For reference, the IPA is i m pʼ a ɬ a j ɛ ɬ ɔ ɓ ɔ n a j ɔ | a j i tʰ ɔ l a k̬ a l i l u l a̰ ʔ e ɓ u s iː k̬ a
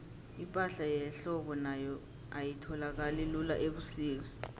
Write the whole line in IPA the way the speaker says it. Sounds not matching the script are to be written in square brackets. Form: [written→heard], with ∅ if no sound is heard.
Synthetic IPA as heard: i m pʼ a ɬ a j ɛ ɬ ɔ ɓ ɔ n a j ɔ | a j i tʰ ɔ l a k̬ a l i l u l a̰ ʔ e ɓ u s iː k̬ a